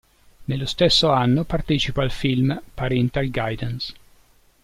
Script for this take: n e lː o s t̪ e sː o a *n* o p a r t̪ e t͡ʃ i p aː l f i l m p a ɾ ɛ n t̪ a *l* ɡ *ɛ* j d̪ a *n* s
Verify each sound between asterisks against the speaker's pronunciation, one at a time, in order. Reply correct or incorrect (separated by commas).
incorrect, correct, incorrect, correct